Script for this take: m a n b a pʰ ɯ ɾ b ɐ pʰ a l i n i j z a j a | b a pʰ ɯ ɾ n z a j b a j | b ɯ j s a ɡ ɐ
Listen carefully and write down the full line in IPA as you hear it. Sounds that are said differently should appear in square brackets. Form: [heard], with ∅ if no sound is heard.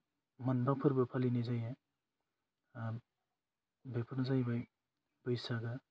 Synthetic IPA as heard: m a n b a pʰ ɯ ɾ b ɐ pʰ a l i n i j z a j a | b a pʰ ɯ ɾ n z a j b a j | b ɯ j s a ɡ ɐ